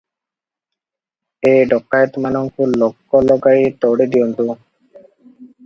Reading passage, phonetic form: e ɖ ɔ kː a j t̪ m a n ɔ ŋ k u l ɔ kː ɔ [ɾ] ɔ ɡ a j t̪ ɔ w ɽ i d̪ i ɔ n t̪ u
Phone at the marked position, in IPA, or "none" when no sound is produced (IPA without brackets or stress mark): l